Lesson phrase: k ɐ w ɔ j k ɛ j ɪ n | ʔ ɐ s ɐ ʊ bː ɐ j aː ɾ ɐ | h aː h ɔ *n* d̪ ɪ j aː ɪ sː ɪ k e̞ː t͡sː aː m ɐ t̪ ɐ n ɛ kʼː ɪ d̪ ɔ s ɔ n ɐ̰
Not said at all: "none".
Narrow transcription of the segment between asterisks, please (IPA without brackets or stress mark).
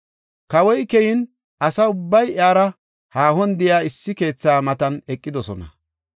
n